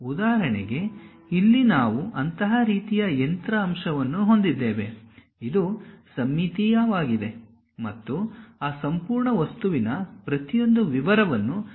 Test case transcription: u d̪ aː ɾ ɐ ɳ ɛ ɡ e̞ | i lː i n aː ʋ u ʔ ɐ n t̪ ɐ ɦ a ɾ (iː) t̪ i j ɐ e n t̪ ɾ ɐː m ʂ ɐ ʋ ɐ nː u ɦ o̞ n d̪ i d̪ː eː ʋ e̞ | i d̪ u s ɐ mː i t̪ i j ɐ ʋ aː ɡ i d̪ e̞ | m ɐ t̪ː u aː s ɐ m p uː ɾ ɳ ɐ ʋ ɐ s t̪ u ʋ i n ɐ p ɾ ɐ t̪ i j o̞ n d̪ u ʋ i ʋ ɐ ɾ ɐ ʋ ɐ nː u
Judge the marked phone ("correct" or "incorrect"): correct